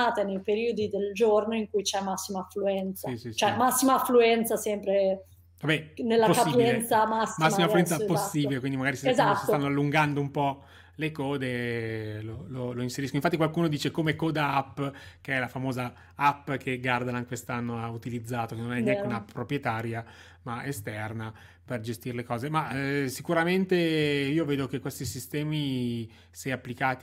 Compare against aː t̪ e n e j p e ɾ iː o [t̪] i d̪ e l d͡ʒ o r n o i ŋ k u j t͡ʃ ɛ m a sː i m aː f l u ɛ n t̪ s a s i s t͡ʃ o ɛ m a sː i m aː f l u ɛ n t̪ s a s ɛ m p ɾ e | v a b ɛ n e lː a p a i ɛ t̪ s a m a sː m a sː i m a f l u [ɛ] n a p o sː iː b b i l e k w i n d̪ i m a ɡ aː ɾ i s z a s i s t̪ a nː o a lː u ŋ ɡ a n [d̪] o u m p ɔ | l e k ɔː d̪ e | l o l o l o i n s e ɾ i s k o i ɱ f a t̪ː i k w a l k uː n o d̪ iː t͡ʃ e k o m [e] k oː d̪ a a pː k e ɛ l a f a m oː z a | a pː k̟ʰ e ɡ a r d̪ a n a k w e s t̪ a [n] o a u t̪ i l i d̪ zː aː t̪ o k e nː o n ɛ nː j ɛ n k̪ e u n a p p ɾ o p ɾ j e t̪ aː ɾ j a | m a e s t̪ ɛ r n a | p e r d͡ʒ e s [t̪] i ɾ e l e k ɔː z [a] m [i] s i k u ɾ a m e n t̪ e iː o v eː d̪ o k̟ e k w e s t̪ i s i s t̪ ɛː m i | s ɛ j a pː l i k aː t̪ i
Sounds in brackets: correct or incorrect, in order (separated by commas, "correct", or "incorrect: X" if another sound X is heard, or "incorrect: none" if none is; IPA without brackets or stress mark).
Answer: incorrect: d̪, correct, correct, correct, incorrect: nː, correct, incorrect: e, incorrect: a